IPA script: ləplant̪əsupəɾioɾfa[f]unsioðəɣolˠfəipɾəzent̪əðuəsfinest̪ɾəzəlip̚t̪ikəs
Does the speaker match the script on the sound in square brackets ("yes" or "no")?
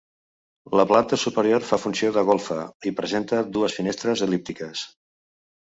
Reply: yes